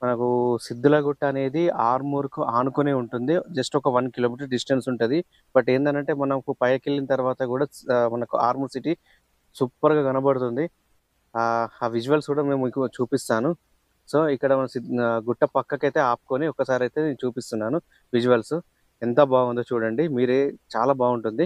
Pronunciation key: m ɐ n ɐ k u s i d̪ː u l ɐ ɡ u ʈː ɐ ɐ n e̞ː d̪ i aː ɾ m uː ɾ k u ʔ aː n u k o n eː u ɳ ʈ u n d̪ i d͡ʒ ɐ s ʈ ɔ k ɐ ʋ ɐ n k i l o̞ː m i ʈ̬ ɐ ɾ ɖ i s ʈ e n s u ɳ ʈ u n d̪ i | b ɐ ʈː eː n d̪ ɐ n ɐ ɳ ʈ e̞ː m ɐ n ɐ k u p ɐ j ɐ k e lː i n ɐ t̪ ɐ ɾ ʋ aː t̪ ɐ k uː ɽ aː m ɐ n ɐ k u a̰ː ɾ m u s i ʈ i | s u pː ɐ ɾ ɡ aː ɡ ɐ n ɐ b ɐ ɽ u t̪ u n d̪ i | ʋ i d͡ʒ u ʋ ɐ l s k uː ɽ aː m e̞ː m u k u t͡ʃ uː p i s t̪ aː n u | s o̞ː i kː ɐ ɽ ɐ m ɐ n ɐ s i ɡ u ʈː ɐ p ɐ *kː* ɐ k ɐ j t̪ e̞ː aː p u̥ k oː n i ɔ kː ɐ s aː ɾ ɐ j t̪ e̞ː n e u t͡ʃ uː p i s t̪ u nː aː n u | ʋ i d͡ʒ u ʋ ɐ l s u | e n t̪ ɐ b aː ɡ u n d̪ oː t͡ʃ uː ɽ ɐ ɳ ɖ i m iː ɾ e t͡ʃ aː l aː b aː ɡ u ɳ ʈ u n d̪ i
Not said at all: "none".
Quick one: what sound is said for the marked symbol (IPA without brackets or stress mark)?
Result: kː